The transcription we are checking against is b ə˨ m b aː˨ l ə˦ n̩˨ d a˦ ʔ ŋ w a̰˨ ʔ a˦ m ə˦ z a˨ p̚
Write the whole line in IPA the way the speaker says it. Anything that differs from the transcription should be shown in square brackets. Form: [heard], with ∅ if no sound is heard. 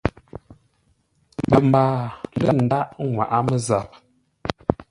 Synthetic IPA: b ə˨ m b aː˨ l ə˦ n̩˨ d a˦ ʔ ŋ w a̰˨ ʔ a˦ m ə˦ z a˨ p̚